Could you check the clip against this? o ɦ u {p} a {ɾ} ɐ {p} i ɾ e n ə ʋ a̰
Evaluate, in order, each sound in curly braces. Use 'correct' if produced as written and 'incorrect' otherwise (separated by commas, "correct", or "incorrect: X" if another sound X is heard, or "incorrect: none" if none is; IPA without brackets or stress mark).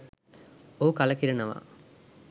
incorrect: k, incorrect: l, incorrect: k